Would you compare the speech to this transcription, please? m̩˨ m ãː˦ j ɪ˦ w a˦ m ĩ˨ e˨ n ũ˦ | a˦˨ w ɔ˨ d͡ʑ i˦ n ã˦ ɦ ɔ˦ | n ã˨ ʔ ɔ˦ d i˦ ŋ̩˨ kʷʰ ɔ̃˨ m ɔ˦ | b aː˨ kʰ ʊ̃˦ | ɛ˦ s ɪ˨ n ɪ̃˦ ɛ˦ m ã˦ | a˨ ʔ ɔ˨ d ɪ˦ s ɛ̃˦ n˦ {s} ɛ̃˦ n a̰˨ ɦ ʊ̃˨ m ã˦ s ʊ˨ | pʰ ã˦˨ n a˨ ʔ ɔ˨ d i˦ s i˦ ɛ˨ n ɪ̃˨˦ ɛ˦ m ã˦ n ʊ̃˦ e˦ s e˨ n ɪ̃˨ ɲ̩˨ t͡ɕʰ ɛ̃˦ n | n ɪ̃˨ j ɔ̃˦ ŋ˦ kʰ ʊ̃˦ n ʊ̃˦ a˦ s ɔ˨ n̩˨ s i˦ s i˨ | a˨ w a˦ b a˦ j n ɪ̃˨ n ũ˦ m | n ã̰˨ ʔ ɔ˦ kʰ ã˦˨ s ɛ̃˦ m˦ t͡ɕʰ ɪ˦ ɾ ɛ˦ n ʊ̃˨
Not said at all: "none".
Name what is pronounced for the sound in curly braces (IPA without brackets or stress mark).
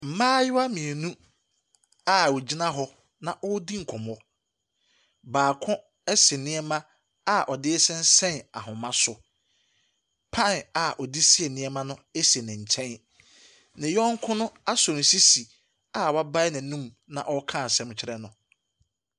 s